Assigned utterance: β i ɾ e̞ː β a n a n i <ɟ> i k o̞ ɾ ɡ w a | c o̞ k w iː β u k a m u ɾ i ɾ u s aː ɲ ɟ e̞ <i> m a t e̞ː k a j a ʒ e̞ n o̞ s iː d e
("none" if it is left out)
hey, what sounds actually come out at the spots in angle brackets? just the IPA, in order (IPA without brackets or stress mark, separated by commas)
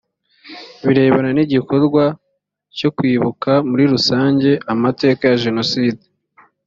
ɟ, a